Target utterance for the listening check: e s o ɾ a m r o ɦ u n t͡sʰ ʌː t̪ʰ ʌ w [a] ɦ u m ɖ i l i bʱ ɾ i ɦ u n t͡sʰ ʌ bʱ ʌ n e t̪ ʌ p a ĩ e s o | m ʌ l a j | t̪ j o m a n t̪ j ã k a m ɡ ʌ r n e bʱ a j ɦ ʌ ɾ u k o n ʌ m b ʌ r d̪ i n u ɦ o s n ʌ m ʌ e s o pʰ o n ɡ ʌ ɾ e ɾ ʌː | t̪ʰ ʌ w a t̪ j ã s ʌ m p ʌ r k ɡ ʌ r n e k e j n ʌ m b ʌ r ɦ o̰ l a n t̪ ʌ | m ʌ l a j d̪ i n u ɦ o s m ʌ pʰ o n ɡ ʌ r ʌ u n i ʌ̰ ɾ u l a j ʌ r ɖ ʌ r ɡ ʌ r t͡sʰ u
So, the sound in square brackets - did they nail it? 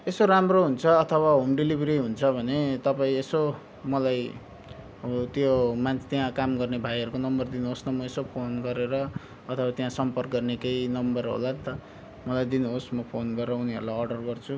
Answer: yes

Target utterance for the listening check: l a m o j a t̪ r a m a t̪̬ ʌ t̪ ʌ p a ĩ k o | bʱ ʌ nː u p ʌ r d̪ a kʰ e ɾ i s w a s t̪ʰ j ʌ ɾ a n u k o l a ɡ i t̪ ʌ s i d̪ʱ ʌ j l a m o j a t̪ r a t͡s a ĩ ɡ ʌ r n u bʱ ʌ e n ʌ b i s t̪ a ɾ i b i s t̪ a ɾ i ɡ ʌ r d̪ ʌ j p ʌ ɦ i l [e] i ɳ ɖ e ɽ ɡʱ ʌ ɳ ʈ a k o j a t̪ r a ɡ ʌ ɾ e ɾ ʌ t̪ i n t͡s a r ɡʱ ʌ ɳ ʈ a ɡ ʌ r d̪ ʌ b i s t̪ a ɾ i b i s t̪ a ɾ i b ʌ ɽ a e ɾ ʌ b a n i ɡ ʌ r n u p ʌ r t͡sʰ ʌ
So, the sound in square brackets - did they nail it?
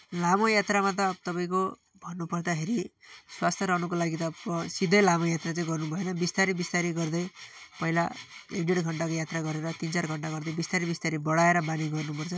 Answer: no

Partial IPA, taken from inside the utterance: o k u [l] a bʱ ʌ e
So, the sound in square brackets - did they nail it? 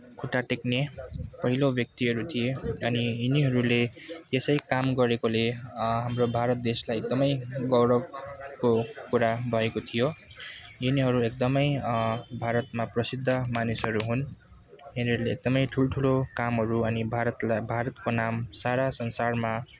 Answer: no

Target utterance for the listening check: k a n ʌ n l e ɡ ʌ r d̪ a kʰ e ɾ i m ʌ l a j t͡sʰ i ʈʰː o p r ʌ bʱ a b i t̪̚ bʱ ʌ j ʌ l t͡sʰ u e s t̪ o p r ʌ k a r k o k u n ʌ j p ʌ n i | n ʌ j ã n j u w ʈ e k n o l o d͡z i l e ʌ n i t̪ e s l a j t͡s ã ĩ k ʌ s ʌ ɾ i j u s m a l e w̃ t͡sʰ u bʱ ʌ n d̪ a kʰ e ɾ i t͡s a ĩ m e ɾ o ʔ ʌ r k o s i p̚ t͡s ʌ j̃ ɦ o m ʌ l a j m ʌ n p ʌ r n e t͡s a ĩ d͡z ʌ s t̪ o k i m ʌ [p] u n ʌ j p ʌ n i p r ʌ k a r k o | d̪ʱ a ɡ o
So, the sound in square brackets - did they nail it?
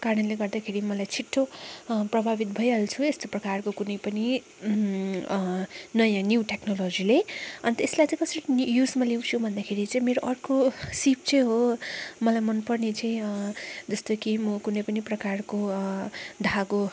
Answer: no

